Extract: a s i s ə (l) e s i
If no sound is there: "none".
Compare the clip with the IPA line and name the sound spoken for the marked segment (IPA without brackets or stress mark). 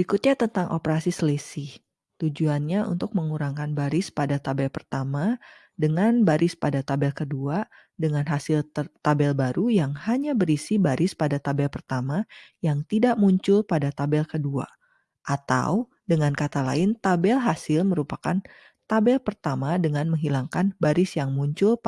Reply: l